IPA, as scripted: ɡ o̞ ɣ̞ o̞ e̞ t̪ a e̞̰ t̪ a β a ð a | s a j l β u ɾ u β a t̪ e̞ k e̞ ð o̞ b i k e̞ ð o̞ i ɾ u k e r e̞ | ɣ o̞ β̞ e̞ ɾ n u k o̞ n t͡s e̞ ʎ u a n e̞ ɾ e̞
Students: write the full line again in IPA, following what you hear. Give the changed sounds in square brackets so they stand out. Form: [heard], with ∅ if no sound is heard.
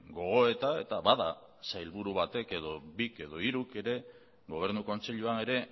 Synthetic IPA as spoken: ɡ o̞ ɣ̞ o̞ e̞ t̪ a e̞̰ t̪ a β a ð a | s a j l β u ɾ u β a t̪ e̞ k e̞ ð o̞ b i k e̞ ð o̞ i ɾ u k e [ɾ] e̞ | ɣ o̞ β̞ e̞ ɾ n u k o̞ n t͡s e̞ ʎ u a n e̞ ɾ e̞

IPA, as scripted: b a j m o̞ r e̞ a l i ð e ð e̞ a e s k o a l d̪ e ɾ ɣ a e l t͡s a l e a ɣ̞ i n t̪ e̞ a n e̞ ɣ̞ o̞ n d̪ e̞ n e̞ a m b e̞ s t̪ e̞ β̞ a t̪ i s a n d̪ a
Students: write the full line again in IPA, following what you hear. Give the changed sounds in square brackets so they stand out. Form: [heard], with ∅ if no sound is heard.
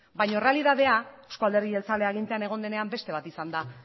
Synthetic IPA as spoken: b a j [ɲ] o̞ r e̞ a l i ð [a] ð e̞ a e s k o a l d̪ e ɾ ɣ [i] e l t͡s a l e a ɣ̞ i n t̪ e̞ a n e̞ ɣ̞ o̞ n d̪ e̞ n e̞ a m b e̞ s t̪ e̞ β̞ a t̪ i s a n d̪ a

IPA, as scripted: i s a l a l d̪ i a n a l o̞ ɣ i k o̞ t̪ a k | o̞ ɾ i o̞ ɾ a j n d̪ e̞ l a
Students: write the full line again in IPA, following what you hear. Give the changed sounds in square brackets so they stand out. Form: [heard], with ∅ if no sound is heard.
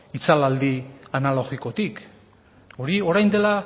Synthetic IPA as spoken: i [t͡s] a l a l d̪ i a n a l o̞ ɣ i k o̞ t̪ [i] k | o̞ ɾ i o̞ ɾ a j n d̪ e̞ l a

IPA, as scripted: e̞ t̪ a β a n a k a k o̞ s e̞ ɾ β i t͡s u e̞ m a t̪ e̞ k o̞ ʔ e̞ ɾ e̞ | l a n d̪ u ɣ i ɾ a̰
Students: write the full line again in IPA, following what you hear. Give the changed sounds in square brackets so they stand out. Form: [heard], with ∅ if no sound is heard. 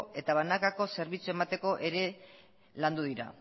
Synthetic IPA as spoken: e̞ t̪ a β a n a k a k o̞ s e̞ ɾ β i t͡s u e̞ m a t̪ e̞ k o̞ ʔ e̞ ɾ e̞ | l a n d̪ u [ð] i ɾ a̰

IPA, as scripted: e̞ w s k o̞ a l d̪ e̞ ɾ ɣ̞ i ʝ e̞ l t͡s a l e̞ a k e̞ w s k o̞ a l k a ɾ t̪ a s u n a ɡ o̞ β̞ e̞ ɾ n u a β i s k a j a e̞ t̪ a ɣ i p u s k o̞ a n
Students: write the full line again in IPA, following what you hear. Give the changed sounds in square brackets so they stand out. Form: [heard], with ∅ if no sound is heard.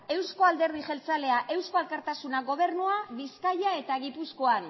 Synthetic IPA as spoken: e̞ w s k o̞ a l d̪ e̞ ɾ [ð̞] i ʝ e̞ l t͡s a l e̞ a [ʔ] e̞ w s k o̞ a l k a ɾ t̪ a s u n a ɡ o̞ β̞ e̞ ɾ n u a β i s k a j a e̞ t̪ a ɣ i p u s k o̞ a n

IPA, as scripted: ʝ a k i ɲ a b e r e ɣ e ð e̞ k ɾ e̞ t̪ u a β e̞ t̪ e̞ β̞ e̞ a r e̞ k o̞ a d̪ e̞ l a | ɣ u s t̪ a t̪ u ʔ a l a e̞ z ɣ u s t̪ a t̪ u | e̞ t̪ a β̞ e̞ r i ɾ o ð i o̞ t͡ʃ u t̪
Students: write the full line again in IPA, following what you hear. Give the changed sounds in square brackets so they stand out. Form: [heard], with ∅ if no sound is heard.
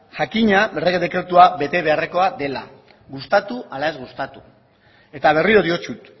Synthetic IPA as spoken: ʝ a k i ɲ a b e r e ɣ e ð e̞ k ɾ e̞ t̪ u a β e̞ t̪ e̞ β̞ e̞ a r e̞ k o̞ a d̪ e̞ l a | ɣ u s t̪ a t̪ u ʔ a l a e̞ z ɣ u s t̪ a t̪ u | e̞ t̪ a β̞ e̞ r i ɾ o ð i o̞ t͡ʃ u t̪

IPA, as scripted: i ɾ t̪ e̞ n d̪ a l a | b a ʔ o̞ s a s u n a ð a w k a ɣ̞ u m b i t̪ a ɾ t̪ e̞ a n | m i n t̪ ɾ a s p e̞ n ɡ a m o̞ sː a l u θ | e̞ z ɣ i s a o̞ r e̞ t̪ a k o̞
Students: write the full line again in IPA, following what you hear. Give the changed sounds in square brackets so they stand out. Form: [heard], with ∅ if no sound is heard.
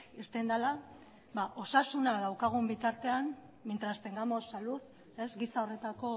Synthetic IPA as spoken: i ɾ t̪ e̞ n d̪ a l a | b a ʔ o̞ s a s u n a ð a w k a ɣ̞ u m b i t̪ a ɾ t̪ e̞ a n | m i n t̪ ɾ a s p e̞ [ŋ] ɡ a m o̞ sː a l u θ | e̞ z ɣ i s a o̞ r e̞ t̪ a k o̞

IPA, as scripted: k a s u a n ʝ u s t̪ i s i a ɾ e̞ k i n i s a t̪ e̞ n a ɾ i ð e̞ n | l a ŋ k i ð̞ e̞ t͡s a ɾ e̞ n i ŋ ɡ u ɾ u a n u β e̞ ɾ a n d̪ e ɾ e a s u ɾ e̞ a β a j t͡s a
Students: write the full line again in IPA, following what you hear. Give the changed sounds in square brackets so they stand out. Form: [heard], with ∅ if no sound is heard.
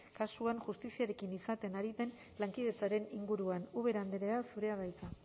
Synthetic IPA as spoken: k a s u a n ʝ u s t̪ i s i a ɾ e̞ k i n i s a t̪ e̞ n a ɾ i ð e̞ n | l a ŋ k i ð̞ e̞ t͡s a ɾ e̞ n i ŋ ɡ u ɾ u a n u β e̞ ɾ a n d̪ e ɾ e a s u ɾ e̞ a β a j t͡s a

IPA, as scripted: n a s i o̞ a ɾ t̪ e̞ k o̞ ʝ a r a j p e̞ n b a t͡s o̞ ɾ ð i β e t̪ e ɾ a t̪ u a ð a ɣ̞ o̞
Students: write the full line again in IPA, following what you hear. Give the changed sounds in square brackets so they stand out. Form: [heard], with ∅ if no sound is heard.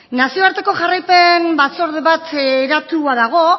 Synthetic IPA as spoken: n a s i o̞ a ɾ t̪ e̞ k o̞ ʝ a r a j p e̞ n b a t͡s o̞ ɾ ð [e] β [a] t̪ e ɾ a t̪ u a ð a ɣ̞ o̞

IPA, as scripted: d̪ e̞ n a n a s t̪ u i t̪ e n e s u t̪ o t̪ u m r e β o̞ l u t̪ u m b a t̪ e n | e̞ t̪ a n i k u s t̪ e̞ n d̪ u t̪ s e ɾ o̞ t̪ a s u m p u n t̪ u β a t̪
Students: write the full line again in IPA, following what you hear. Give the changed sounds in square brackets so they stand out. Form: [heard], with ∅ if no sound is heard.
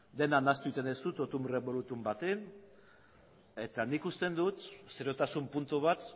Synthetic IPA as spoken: d̪ e̞ n a n a s t̪ u i t̪ e n e s u t̪ o t̪ u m r e β o̞ l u t̪ u m b a t̪ e n | e̞ t̪ a n i k u s t̪ e̞ n d̪ u t̪ s e ɾ o̞ t̪ a s u m p u n t̪ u β a t̪

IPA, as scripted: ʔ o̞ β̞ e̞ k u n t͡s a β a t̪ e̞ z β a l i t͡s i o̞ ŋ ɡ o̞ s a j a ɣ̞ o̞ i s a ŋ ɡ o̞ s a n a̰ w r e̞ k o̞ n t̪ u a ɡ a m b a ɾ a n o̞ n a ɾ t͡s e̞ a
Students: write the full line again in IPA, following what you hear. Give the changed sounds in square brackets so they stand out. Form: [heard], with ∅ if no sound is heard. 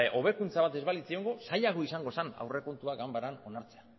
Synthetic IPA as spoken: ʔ o̞ β̞ e̞ k u n t͡s a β a t̪ e̞ z β a l i t͡s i o̞ ŋ ɡ o̞ s a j a ɣ̞ o̞ i s a ŋ ɡ o̞ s a n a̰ w r e̞ k o̞ n t̪ u a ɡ a m b a ɾ a n o̞ n a ɾ t͡s e̞ a

